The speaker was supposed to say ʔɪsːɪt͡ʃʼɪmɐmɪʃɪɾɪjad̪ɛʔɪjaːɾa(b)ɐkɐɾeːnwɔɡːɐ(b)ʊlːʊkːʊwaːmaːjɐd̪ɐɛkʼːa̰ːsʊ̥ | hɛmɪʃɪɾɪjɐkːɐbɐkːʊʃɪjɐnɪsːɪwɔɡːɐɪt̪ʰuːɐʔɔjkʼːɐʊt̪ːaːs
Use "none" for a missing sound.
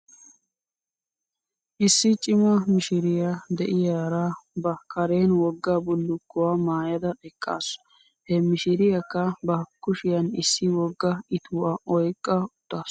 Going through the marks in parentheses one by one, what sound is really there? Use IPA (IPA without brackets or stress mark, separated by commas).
b, b